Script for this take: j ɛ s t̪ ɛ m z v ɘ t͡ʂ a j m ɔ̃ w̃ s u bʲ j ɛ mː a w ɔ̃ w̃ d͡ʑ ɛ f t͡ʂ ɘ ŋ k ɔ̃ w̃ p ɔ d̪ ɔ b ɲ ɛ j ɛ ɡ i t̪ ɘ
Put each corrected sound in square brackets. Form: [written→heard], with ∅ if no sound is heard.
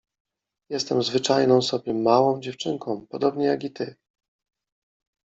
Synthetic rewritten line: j ɛ s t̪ ɛ m z v ɘ t͡ʂ a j [m→n] ɔ̃ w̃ s [u→ɔ] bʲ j ɛ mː a w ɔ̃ w̃ d͡ʑ ɛ f t͡ʂ ɘ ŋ k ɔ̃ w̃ p ɔ d̪ ɔ b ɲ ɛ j [ɛ→a] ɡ i t̪ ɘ